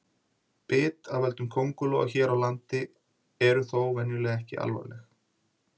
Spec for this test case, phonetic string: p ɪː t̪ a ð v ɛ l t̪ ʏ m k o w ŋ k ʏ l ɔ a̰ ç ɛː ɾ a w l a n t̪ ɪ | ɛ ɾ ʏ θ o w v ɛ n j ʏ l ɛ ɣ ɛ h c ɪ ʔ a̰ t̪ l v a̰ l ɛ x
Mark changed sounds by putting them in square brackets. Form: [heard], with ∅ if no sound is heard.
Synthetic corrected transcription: p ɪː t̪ a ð v ɛ l t̪ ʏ m [kʰ] o w ŋ k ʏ l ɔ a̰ ç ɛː ɾ a w l a n t̪ ɪ | ɛ ɾ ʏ θ o w v ɛ n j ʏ l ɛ ɣ ɛ h c ɪ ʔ a̰ [∅] l v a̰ l ɛ x

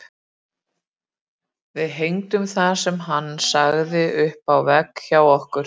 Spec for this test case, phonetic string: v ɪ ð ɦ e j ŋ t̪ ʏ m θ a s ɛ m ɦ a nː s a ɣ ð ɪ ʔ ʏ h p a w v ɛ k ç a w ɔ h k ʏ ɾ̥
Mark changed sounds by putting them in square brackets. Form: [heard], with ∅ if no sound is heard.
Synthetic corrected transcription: v ɪ ð ɦ e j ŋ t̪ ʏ m θ a s ɛ m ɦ a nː s a ɣ ð ɪ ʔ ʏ h p a w v ɛ k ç a w ɔ h k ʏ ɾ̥

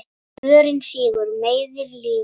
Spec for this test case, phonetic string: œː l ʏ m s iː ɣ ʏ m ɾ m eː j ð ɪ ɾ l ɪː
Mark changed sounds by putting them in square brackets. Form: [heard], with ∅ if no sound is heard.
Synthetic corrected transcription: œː [ɾ] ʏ [n] s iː ɣ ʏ [∅] ɾ m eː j ð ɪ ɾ l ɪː

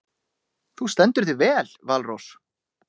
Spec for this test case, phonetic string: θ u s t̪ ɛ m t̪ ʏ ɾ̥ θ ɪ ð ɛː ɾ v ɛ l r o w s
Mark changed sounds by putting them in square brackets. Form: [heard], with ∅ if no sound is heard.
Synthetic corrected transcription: θ u s t̪ ɛ [n] t̪ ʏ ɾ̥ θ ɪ [v] ɛː [l] v [a] l r o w s

